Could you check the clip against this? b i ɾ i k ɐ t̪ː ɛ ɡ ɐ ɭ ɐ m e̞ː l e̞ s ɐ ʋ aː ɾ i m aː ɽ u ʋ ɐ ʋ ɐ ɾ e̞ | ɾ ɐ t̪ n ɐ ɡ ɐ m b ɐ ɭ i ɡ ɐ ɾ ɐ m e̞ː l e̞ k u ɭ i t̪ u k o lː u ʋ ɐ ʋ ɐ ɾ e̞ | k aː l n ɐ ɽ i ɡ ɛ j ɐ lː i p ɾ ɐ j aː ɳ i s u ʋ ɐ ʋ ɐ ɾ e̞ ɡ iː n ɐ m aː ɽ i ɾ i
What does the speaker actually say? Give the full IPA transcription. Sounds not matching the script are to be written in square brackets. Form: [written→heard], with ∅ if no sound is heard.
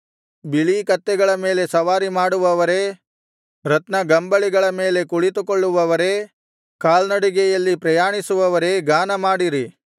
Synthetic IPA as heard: b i [ɾ→ɭ] i k ɐ t̪ː ɛ ɡ ɐ ɭ ɐ m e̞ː l e̞ s ɐ ʋ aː ɾ i m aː ɽ u ʋ ɐ ʋ ɐ ɾ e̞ | ɾ ɐ t̪ n ɐ ɡ ɐ m b ɐ ɭ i ɡ ɐ [ɾ→ɭ] ɐ m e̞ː l e̞ k u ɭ i t̪ u k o [lː→ɭː] u ʋ ɐ ʋ ɐ ɾ e̞ | k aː l n ɐ ɽ i ɡ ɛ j ɐ lː i p ɾ ɐ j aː ɳ i s u ʋ ɐ ʋ ɐ ɾ e̞ ɡ [iː→aː] n ɐ m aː ɽ i ɾ i